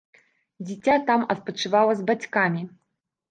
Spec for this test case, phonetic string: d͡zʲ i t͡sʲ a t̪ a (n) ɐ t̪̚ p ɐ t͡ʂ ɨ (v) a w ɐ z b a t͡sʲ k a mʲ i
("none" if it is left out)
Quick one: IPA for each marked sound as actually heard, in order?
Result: m, v

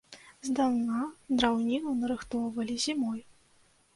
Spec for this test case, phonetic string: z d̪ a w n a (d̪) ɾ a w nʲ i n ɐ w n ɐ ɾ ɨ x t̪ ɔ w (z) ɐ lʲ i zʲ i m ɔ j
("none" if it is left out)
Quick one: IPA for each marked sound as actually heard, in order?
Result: d̪, v

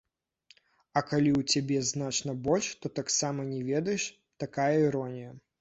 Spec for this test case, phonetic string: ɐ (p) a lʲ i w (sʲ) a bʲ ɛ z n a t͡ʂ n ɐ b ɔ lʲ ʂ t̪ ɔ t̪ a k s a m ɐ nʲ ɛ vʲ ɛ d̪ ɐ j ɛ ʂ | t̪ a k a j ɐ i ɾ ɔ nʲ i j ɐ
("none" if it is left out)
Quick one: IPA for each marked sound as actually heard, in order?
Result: k, t͡sʲ

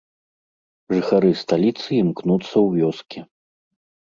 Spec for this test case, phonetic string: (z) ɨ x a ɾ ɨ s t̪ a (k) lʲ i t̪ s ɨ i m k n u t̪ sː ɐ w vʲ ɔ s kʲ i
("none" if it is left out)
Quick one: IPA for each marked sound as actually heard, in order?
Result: ʐ, none

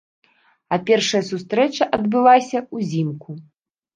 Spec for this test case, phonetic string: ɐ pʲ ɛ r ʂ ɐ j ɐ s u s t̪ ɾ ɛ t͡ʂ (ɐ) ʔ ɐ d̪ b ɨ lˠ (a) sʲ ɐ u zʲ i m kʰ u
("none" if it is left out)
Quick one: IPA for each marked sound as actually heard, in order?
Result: ɐ, a

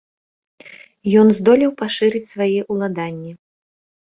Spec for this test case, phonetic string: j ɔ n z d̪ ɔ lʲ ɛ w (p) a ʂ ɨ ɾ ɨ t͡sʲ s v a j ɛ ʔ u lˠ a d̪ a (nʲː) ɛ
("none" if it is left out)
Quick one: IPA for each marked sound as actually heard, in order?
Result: p, nʲː

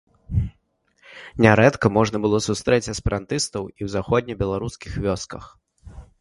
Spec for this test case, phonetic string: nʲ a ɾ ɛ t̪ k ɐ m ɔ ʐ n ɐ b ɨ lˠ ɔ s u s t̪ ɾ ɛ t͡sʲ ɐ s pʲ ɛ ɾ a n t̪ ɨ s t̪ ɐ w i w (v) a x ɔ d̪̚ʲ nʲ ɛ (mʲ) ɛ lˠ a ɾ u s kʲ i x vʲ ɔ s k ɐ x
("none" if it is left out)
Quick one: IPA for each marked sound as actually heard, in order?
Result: z, bʲ

